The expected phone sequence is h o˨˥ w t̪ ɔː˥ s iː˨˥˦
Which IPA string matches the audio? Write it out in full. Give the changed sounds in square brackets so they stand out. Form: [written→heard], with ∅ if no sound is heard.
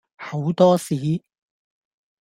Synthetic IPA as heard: h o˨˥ w t̪ ɔː˥ s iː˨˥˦